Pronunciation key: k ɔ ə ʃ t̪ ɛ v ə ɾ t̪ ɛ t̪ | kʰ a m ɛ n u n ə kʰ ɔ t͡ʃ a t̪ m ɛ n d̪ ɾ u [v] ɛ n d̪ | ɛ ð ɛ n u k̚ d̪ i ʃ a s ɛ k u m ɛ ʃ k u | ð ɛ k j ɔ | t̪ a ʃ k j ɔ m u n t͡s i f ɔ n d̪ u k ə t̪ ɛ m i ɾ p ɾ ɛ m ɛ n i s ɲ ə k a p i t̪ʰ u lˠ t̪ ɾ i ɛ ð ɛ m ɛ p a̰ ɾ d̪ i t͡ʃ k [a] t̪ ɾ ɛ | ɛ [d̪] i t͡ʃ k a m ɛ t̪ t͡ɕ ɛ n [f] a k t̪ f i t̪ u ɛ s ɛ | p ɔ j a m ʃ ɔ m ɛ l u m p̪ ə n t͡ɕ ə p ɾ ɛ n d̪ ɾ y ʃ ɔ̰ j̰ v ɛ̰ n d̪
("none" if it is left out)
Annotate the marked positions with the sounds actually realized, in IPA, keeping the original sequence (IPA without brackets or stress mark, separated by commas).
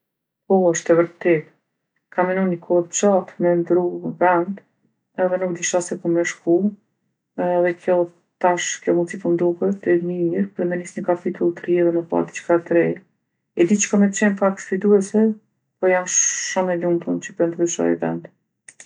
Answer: v, a, d̪, f